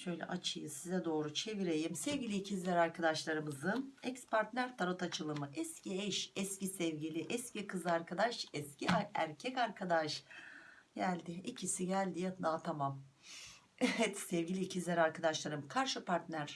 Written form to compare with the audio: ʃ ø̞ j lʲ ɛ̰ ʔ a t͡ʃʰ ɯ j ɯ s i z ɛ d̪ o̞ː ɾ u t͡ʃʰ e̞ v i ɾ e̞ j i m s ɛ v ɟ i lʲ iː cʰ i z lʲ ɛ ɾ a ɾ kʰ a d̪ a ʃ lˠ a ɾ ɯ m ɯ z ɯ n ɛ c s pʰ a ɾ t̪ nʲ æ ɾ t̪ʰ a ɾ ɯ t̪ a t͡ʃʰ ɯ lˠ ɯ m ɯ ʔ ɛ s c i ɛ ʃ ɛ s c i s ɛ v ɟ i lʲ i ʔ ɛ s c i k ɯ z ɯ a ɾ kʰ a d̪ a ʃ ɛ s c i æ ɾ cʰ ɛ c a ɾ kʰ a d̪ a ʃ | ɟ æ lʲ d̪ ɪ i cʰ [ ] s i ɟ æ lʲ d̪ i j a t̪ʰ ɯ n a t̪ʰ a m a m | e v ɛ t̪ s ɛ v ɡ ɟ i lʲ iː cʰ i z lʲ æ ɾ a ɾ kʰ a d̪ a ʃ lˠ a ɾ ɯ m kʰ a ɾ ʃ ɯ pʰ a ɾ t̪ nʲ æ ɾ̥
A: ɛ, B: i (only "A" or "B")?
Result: B